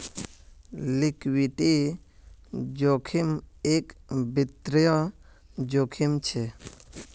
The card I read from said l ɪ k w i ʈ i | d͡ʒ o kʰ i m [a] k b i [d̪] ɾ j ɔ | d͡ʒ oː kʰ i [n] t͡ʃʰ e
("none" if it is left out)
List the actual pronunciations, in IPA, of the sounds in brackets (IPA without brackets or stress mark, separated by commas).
e, t̪, m